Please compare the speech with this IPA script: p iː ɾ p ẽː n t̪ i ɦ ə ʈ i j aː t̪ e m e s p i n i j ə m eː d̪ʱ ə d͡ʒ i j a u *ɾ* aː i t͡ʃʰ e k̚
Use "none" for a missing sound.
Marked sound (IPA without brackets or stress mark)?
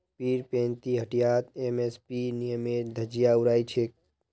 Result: ɾ